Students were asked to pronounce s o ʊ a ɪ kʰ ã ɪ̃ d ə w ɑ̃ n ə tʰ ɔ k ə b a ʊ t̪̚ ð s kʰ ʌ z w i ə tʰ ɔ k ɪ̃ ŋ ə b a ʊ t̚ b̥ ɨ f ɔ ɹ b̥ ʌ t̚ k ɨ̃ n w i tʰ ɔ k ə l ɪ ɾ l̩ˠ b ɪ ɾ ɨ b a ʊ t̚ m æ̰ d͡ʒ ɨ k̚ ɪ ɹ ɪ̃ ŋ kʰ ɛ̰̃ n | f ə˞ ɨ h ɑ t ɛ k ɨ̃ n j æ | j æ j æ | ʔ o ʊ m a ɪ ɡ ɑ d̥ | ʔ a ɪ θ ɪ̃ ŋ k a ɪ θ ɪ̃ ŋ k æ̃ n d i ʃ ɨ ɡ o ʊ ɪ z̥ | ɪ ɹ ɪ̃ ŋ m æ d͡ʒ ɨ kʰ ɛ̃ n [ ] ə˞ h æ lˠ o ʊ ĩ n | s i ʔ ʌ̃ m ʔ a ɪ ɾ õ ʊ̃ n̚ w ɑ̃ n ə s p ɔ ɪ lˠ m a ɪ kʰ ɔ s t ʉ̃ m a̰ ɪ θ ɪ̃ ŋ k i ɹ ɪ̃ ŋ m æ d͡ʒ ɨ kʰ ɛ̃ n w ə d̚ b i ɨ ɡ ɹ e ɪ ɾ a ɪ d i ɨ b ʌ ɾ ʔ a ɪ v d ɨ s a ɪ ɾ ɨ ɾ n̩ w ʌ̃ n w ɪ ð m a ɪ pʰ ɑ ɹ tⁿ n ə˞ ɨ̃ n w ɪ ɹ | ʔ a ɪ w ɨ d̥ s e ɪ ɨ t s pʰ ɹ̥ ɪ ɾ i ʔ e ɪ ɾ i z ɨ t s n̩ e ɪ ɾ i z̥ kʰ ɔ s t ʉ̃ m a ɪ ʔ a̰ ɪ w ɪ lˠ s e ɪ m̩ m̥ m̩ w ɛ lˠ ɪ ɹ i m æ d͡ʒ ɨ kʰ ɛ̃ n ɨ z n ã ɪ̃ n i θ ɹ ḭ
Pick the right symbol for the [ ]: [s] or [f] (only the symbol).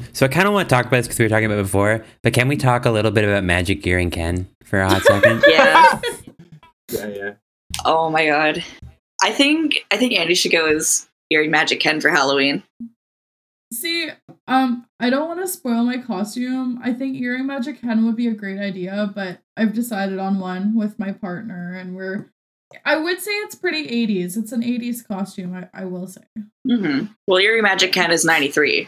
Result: f